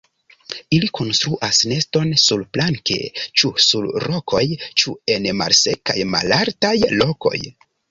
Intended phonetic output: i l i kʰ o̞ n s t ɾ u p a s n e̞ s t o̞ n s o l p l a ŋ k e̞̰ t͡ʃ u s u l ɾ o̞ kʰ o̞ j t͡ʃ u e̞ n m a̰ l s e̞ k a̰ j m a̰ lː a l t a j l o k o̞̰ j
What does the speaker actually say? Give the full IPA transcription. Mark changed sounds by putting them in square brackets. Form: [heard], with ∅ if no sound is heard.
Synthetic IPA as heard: i l i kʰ o̞ n s t ɾ u [ʔ] a s n e̞ s t o̞ n s [u] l p l a ŋ k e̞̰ t͡ʃ u s u l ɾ o̞ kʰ o̞ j t͡ʃ u e̞ n m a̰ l s e̞ k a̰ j m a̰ [l] a [ɾ] t a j l o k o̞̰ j

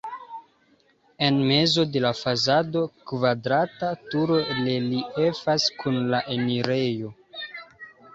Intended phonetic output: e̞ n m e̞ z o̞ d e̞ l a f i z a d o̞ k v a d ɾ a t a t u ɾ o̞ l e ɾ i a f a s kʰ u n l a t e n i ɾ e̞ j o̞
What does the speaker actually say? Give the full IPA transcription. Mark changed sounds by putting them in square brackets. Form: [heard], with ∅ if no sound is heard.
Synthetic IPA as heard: e̞ n m e̞ z o̞ d e̞ l a f [a] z a d o̞ k v a d ɾ a t a t u ɾ o̞ l e [l] i [e] f a s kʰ u n l a [ʔ] e n i ɾ e̞ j o̞

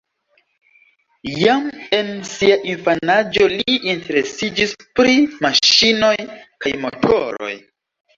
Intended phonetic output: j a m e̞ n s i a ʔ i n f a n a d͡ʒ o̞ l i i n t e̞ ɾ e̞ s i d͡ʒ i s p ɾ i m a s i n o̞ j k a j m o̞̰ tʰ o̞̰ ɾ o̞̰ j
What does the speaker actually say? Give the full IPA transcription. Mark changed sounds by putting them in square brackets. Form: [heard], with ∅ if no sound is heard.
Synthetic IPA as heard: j a m e̞ n s i a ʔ i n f a n a d͡ʒ o̞ l i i n t e̞ ɾ e̞ s i d͡ʒ i s p ɾ i m a [ʃ] i n o̞ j k a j m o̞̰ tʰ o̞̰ ɾ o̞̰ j

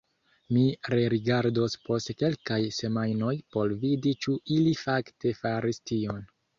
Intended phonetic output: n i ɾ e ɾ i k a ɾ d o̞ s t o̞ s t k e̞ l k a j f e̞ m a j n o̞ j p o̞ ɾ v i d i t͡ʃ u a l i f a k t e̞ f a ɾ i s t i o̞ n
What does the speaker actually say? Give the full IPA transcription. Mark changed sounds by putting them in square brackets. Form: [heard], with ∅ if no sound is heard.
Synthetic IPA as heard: [m] i ɾ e ɾ i [ɡ] a ɾ d o̞ s [p] o̞ s t k e̞ l k a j [s] e̞ m a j n o̞ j p o̞ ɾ v i d i t͡ʃ u [i] l i f a k t e̞ f a ɾ i s t i o̞ n

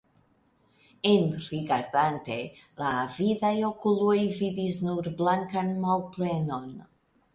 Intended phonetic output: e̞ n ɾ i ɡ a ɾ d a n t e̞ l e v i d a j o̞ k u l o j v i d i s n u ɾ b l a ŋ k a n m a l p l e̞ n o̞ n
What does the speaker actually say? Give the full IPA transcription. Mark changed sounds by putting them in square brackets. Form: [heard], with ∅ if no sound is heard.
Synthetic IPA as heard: e̞ n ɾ i ɡ a ɾ d a n t e̞ l [a] v i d a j o̞ k u l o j v i d i s n u ɾ b l a ŋ k a n m a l p l e̞ n o̞ n

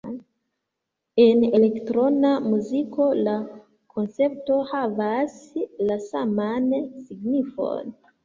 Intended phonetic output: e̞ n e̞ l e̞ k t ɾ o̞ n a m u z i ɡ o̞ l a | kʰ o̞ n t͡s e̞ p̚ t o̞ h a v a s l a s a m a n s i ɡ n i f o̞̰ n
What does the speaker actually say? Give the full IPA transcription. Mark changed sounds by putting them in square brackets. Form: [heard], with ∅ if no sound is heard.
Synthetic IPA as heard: e̞ n e̞ l e̞ k t ɾ o̞ n a m u z i [k] o̞ l a | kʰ o̞ n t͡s e̞ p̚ t o̞ h a v a s l a s a m a n s i ɡ n i f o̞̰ n

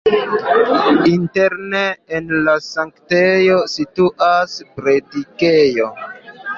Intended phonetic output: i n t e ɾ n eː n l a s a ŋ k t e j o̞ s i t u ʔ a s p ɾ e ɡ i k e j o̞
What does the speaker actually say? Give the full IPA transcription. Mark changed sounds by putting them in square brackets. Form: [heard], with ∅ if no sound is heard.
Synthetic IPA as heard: i n t e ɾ n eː n l a s a ŋ k t e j o̞ s i t u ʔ a s p ɾ e [d] i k e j o̞

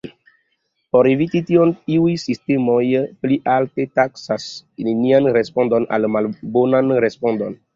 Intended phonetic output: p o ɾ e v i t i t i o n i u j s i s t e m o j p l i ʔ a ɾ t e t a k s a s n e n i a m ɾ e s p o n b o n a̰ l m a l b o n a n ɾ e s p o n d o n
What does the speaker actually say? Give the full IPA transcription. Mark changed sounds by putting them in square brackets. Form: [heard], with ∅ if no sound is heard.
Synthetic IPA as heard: p o ɾ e v i t i t i o n i u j s i s t e m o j p l i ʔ a [l] t e t a k s a s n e n i a [n] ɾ e s p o n [d] o n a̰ l m a l b o n a n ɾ e s p o n d o n

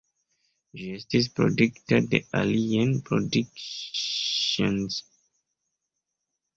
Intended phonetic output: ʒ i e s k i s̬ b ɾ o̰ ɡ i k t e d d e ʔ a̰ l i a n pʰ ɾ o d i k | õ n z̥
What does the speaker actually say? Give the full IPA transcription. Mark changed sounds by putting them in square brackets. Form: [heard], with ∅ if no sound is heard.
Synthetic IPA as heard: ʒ i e s [t] i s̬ [p] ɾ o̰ [d] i k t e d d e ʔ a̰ l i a n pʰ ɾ o d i k | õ n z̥

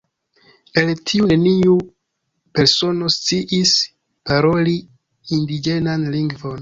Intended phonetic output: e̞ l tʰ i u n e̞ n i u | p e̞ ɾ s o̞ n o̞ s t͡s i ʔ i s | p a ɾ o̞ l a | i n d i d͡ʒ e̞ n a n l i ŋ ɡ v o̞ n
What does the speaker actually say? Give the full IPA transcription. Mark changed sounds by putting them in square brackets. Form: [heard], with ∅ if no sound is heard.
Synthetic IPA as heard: e̞ l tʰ i u n e̞ n i u | p e̞ ɾ s o̞ n o̞ s t͡s i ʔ i s | p a ɾ o̞ l [i] | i n d i d͡ʒ e̞ n a n l i ŋ ɡ v o̞ n

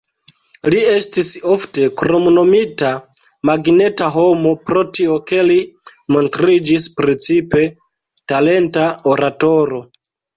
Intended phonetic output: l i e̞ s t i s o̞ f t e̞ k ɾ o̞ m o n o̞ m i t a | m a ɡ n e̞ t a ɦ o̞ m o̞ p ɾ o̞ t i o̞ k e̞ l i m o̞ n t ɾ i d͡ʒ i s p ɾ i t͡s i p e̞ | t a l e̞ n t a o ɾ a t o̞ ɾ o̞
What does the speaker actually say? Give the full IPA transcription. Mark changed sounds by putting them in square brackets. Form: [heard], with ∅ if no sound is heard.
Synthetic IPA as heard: l i e̞ s t i s o̞ f t e̞ k ɾ o̞ m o n o̞ m i t a | m a ɡ n e̞ t a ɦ o̞ m o̞ p ɾ o̞ t i o̞ k e̞ l i m o̞ n t ɾ i d͡ʒ i s p ɾ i t͡s i p e̞ | t a l e̞ n t a o ɾ a t o̞ ɾ o̞

